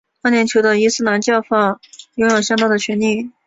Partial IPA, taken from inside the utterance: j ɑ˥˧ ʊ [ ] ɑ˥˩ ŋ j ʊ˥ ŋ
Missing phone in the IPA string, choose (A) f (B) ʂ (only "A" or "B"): A